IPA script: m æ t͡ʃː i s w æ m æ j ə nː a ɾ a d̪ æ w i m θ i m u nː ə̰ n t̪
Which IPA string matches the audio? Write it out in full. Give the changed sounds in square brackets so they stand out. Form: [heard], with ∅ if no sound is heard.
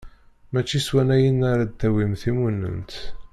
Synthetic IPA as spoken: m æ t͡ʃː i s w æ [n] æ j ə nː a ɾ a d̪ æ w i m θ i m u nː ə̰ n t̪